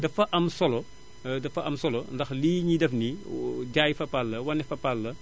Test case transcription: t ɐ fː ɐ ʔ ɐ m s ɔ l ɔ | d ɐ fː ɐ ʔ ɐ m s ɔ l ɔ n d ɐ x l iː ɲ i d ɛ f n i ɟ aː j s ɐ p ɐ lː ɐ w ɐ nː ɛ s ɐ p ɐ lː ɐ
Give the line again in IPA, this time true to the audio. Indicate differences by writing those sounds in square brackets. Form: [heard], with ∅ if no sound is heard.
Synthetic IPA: [d] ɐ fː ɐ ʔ ɐ m s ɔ l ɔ | d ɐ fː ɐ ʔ ɐ m s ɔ l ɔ n d ɐ x l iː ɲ i d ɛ f n i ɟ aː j [f] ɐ p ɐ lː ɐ w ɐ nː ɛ [f] ɐ p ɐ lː ɐ